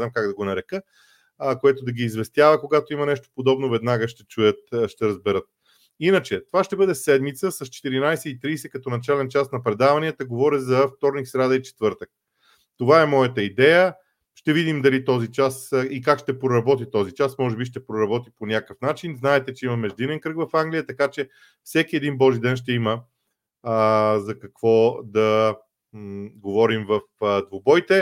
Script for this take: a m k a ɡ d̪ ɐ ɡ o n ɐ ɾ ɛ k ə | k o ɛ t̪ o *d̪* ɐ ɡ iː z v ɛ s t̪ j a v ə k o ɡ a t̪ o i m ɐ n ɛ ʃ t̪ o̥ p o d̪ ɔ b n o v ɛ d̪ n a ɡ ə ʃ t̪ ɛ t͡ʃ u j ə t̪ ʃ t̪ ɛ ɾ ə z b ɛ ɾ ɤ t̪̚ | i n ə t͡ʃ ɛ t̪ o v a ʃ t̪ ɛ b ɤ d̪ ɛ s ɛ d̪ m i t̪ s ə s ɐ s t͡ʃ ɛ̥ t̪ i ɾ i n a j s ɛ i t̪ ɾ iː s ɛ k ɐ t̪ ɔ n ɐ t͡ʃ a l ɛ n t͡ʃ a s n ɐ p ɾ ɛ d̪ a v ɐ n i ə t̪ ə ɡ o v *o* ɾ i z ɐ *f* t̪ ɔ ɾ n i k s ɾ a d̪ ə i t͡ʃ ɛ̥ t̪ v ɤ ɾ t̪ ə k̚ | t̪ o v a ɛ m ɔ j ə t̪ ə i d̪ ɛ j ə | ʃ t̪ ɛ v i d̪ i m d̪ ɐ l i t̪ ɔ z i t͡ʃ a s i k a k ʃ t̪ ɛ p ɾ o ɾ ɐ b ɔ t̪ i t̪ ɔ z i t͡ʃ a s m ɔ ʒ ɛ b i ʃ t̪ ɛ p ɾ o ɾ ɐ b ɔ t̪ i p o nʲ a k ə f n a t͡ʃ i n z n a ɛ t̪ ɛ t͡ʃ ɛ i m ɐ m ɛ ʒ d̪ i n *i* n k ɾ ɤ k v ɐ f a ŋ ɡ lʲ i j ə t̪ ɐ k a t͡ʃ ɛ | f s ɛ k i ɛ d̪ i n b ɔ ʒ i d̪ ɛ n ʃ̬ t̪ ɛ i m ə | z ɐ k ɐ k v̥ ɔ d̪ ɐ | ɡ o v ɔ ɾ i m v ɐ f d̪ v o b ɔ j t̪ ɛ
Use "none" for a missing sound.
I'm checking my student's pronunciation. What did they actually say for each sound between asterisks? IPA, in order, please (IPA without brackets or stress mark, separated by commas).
d̪, ɔ, f, ɛ